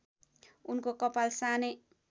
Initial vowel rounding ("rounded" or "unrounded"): rounded